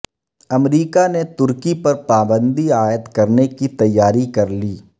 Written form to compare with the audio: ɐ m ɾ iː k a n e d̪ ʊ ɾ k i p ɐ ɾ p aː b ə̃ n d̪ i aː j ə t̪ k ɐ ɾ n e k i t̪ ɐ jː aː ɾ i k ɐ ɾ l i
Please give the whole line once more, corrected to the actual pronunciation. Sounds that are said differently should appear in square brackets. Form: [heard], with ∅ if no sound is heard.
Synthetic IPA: ɐ m ɾ iː k a n e [t̪] ʊ ɾ k i p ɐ ɾ p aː b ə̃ n d̪ i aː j ə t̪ k ɐ ɾ n e k i t̪ ɐ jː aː ɾ i k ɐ ɾ l [iː]